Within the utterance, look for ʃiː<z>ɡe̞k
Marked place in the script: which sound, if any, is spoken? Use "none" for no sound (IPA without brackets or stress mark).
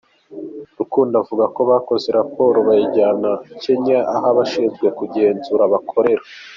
z